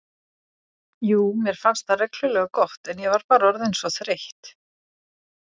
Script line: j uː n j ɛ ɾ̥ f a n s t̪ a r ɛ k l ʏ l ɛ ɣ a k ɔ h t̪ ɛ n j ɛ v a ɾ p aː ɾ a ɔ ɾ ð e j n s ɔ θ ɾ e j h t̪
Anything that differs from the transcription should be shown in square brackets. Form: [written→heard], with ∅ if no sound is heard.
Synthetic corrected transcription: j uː [n→m] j ɛ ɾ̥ f a n s t̪ a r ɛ k l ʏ l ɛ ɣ a k ɔ h t̪ ɛ n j ɛ v a ɾ p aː ɾ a ɔ ɾ ð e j n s ɔ θ ɾ e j h t̪

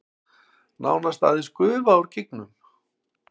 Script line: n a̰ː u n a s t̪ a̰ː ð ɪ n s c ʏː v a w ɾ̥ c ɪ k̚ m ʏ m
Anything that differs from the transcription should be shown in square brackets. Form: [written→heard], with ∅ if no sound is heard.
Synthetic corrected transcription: n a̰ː [u→w] n a s t̪ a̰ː ð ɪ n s [c→k] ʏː v a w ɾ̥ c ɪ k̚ [m→n] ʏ m

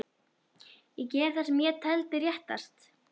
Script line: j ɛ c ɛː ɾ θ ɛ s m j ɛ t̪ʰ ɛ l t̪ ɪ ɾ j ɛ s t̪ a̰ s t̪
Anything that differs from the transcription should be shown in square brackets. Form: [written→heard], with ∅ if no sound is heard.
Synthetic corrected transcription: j ɛ c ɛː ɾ θ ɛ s m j ɛ t̪ʰ ɛ l t̪ ɪ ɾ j ɛ [s→h] t̪ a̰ s t̪

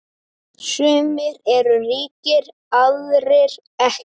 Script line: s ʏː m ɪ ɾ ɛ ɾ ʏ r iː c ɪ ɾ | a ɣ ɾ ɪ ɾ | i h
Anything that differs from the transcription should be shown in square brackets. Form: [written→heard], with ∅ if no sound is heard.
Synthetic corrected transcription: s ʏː m ɪ ɾ ɛ ɾ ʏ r iː c ɪ ɾ | a [ɣ→ð] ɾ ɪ ɾ | [i→ɛ] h

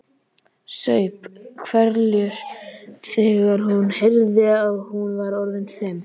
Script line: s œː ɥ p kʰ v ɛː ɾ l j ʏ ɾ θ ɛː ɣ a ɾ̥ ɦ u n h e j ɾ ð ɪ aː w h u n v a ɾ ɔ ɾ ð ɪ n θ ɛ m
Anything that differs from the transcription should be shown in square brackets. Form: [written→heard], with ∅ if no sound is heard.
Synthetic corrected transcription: s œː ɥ p kʰ v [ɛː→ɛ] ɾ l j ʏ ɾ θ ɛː ɣ a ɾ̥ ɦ u n h e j ɾ ð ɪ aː [w→ɣ] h u n v a ɾ ɔ ɾ ð ɪ n θ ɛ m

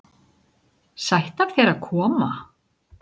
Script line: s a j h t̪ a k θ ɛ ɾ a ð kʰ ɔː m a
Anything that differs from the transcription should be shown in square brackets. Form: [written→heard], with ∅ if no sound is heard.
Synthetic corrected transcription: s a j h t̪ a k θ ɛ ɾ a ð kʰ ɔː m a

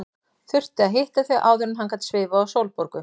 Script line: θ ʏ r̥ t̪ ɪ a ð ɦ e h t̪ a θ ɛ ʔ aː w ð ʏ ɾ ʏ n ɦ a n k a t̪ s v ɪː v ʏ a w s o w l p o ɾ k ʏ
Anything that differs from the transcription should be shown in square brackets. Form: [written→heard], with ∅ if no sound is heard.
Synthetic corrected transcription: θ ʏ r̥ t̪ ɪ a ð ɦ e h t̪ a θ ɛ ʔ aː w ð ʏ ɾ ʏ n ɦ a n k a t̪ s v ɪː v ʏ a w s o w l p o ɾ k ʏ

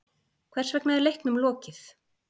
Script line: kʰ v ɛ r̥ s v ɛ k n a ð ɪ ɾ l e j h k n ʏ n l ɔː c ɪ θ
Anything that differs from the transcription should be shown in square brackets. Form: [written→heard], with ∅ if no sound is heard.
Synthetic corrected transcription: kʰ v ɛ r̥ s v ɛ k n a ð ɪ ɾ l e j h k n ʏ [n→m] l ɔː c ɪ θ

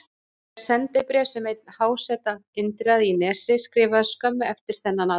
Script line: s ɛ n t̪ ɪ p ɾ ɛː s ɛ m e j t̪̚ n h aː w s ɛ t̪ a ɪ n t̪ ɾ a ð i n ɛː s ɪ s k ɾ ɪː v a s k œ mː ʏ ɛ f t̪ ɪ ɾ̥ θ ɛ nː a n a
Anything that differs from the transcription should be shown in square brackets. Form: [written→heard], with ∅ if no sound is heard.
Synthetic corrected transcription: s ɛ n t̪ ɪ p ɾ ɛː s ɛ m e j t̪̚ n h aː w s ɛ t̪ a ɪ n t̪ ɾ a ð i n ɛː s ɪ s k ɾ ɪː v a s k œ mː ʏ ɛ f t̪ ɪ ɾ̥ θ ɛ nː a n a

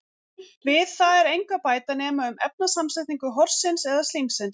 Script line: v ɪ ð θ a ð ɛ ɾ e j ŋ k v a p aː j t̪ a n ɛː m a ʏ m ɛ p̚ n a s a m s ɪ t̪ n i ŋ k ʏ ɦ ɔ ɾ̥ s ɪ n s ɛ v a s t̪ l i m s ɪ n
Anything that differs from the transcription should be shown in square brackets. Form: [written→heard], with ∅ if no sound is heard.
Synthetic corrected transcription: v ɪ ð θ a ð ɛ ɾ e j ŋ k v a p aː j t̪ a n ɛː m a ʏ m ɛ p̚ n a s a m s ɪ t̪ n i ŋ k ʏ ɦ ɔ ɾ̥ s ɪ n s ɛ [v→ð] a s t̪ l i m s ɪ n

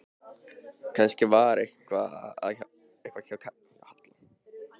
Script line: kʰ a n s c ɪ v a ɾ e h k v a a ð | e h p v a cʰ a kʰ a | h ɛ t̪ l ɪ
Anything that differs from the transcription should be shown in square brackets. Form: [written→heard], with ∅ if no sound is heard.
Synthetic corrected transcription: kʰ a n s c ɪ v a ɾ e h k v a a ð | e h [p→k] v a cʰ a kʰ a | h [ɛ→a] t̪ l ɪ

